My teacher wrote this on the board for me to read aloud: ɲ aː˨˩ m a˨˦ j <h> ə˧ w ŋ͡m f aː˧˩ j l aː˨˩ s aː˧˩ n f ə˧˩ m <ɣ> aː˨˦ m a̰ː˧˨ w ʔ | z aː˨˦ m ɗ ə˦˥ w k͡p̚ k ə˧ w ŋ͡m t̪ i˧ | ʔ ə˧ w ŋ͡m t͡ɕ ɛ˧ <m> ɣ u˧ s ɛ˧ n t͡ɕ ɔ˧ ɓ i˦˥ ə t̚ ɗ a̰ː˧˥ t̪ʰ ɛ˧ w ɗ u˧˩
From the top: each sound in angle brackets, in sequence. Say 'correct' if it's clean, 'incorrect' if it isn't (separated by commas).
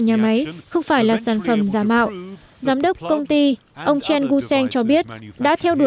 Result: incorrect, incorrect, incorrect